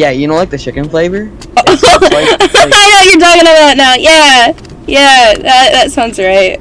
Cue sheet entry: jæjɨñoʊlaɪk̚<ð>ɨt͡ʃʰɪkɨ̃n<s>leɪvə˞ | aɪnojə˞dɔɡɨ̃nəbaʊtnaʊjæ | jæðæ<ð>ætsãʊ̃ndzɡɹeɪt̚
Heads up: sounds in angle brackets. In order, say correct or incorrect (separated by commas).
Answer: correct, incorrect, correct